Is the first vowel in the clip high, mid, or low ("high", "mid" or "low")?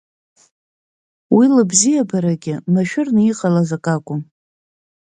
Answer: high